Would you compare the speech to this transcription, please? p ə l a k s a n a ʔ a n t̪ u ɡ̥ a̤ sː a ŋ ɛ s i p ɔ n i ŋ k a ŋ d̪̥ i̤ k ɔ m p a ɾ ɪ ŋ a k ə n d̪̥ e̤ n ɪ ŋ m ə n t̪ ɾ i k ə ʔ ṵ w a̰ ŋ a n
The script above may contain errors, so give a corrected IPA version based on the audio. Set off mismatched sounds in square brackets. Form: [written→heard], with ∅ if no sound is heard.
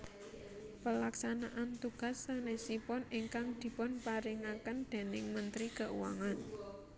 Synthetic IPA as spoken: p ə l a k s a n a ʔ a n t̪ u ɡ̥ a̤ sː a [ŋ→n] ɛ s i p ɔ n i ŋ k a ŋ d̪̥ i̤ [k→p] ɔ [m→n] p a ɾ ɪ ŋ a k ə n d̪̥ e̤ n ɪ ŋ m ə n t̪ ɾ i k ə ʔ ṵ w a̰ ŋ a n